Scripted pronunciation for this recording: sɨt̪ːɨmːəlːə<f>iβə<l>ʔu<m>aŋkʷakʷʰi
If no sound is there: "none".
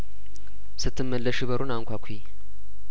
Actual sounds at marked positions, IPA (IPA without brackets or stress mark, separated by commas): ʃ, ɾ, n